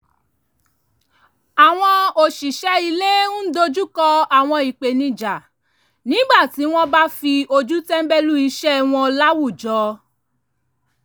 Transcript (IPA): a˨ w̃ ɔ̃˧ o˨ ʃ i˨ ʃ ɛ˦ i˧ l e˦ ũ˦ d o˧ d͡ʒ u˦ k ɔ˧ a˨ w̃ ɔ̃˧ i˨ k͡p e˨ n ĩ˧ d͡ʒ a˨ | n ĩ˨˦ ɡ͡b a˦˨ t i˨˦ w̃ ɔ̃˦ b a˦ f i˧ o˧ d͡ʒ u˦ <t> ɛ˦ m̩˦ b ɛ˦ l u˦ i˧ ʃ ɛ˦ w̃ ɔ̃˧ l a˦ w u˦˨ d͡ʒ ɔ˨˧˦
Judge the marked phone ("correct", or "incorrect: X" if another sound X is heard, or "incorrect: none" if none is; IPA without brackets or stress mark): correct